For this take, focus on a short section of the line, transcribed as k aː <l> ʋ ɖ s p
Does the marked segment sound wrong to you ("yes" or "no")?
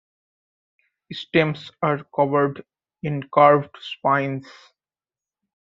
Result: yes